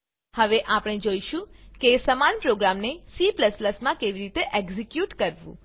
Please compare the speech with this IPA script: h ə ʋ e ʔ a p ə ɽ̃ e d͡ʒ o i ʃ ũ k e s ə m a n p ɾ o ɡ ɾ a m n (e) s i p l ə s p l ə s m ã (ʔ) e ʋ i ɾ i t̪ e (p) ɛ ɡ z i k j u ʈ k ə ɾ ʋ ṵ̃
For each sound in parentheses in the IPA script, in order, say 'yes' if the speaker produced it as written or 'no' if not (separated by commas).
yes, no, no